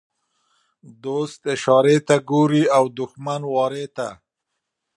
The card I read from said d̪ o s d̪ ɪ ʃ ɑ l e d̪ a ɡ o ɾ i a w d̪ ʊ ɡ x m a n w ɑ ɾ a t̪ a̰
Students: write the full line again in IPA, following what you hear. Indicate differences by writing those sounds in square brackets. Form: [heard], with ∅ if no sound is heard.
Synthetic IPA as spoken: d̪ o s [t̪] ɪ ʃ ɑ [ɾ] e [t̪] a ɡ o ɾ i a w d̪ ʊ [∅] x m a n w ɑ ɾ [e] t̪ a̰